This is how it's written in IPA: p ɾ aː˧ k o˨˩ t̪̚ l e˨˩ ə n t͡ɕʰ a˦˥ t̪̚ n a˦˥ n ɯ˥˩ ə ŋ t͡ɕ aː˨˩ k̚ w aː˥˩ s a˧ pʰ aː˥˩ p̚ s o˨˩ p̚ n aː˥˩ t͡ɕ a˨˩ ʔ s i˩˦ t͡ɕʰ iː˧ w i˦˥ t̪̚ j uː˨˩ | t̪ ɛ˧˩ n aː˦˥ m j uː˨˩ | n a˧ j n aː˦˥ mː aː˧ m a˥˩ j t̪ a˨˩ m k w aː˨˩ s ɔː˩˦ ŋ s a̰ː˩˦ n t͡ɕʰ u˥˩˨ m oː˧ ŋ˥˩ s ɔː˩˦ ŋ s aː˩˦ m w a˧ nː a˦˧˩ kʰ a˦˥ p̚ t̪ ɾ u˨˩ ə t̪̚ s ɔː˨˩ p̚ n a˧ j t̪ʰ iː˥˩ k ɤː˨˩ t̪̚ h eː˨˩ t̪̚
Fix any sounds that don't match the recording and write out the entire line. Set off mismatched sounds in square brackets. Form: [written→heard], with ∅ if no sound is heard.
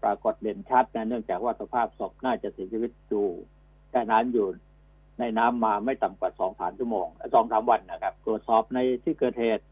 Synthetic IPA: p ɾ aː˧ k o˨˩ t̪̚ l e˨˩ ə n t͡ɕʰ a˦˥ t̪̚ n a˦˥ n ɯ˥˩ ə ŋ t͡ɕ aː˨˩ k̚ w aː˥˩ s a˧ pʰ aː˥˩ p̚ s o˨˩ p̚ n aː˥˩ t͡ɕ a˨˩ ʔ s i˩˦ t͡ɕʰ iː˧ w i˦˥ t̪̚ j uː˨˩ | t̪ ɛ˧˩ n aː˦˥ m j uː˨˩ | n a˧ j n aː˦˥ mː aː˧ m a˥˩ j t̪ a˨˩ m k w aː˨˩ s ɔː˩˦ ŋ s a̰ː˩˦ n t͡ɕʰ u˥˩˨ m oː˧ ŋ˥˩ s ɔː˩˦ ŋ s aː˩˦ m w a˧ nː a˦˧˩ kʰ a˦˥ p̚ t̪ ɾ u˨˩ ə t̪̚ s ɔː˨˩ p̚ n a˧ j t̪ʰ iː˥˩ k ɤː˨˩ t̪̚ h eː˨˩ t̪̚